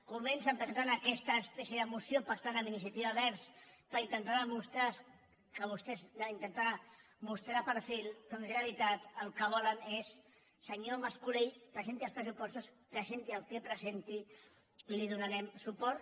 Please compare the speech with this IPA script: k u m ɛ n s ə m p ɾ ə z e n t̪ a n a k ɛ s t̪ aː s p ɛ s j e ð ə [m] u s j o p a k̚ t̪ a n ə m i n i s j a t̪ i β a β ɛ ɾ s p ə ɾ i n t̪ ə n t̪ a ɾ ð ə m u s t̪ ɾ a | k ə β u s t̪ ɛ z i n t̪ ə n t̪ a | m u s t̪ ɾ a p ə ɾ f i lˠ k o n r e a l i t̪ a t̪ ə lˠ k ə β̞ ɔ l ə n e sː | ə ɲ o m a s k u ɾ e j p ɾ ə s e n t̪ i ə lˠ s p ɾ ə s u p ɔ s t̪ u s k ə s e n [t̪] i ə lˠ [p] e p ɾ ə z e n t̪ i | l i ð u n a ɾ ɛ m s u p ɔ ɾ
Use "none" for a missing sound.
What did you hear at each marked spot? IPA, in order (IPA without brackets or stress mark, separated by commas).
m, t̪, k